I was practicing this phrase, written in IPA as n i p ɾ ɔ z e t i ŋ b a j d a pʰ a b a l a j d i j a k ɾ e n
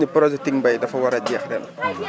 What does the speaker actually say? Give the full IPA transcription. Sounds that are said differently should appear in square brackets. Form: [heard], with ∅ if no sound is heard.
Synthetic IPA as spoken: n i p ɾ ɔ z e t i ŋ b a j d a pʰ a [w] a [ɾ] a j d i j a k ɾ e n